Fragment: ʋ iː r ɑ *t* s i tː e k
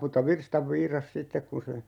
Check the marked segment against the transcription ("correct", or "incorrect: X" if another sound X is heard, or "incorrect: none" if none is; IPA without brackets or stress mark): incorrect: s